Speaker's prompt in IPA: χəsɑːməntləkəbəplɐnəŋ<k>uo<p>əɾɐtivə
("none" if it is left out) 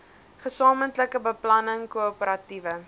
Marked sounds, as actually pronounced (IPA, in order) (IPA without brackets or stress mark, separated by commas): k, p